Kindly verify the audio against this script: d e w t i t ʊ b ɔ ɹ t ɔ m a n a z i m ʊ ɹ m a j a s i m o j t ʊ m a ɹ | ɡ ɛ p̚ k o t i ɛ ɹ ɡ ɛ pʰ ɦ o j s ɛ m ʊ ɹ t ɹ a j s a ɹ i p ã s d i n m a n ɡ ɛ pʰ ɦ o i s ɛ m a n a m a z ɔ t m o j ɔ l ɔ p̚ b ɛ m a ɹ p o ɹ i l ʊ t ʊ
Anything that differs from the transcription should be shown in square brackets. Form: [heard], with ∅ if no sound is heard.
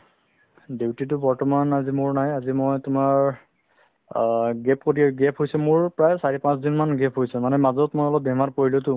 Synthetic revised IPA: d e w t i t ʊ b ɔ ɹ t ɔ m a n a z i m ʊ ɹ [n] a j a [z] i m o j t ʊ m a ɹ | ɡ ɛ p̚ k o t i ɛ [∅] ɡ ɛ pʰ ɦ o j s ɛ m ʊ ɹ [p] ɹ a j s a ɹ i p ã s d i n m a n ɡ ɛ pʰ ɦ o [j] s ɛ m a n [ɛ] m a z ɔ t m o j ɔ l ɔ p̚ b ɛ m a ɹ p o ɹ i l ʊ t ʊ